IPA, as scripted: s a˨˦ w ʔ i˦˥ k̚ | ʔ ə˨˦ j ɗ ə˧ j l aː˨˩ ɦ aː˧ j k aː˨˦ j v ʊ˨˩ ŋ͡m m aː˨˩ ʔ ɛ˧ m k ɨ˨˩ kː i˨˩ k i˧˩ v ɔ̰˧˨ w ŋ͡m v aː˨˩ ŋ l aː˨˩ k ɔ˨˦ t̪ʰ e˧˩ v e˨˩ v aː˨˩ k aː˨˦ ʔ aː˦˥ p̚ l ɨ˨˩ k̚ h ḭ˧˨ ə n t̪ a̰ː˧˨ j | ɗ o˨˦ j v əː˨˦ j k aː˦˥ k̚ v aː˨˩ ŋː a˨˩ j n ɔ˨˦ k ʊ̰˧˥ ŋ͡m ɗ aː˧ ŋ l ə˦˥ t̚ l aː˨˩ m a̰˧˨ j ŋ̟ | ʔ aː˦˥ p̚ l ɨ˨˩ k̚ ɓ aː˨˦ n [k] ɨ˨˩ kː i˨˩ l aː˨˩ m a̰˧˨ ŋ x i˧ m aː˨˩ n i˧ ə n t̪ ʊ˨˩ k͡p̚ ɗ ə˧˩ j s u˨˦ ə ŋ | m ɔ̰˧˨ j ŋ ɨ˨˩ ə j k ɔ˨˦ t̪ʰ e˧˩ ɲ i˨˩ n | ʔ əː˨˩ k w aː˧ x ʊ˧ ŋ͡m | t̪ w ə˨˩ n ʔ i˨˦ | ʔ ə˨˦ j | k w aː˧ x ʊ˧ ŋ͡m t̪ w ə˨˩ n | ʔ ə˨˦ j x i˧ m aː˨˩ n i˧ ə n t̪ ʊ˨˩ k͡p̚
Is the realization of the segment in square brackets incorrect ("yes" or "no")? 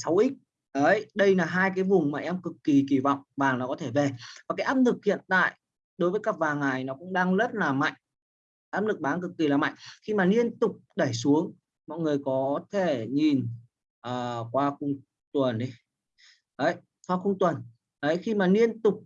no